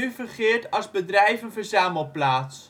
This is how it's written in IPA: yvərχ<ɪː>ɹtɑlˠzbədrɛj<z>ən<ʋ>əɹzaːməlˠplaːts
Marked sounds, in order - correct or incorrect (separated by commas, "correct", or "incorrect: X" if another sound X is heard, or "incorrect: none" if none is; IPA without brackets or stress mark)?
correct, incorrect: v, incorrect: v